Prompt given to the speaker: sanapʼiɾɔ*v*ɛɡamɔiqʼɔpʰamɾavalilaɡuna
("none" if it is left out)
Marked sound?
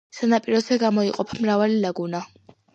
z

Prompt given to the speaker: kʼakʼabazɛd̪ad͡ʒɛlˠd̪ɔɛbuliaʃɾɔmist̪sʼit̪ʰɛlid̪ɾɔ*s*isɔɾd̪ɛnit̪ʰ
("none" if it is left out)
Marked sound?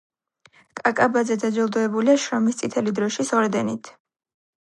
ʃ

